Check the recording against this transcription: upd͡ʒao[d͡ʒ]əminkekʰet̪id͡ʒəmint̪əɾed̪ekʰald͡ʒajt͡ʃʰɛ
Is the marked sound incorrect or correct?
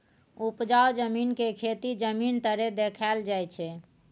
correct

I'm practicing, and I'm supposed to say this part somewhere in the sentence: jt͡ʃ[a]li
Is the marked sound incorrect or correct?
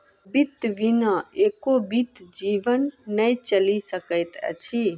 incorrect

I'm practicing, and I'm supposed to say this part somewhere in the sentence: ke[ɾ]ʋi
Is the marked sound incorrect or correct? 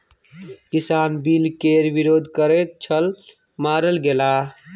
correct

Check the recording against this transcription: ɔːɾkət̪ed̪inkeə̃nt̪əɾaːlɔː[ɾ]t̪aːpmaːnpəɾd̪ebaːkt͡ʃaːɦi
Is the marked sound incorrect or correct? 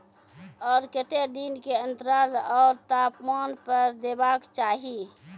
correct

